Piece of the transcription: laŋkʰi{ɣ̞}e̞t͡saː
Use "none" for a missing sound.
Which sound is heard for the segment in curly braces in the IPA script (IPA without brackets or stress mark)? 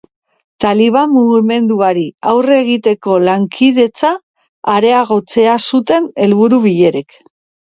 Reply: ð̞